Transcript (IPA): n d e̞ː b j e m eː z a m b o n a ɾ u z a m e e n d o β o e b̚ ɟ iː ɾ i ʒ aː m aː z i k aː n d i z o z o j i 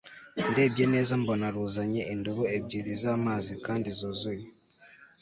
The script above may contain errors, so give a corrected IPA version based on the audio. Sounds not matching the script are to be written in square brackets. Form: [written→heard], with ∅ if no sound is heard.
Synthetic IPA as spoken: n d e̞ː b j e [m→n] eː z a m b o n a ɾ u z a [m→ɲ] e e n d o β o e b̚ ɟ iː ɾ i [ʒ→z] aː m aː z i k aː n d i z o z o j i